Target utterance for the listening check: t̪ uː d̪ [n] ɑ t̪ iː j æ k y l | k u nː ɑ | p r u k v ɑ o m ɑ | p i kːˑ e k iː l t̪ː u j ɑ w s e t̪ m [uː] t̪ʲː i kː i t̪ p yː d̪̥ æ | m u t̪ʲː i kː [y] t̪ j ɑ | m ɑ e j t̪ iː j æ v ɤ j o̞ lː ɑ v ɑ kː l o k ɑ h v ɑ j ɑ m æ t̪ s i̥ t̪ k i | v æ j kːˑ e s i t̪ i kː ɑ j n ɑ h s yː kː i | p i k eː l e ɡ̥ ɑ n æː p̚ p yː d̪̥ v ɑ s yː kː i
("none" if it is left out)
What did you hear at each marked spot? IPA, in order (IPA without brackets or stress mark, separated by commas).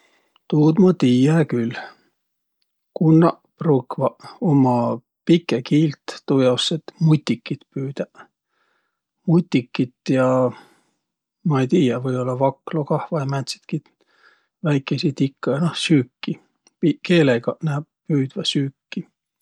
m, u, i